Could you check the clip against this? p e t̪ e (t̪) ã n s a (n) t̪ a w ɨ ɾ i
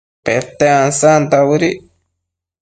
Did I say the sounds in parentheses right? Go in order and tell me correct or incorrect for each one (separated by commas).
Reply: incorrect, correct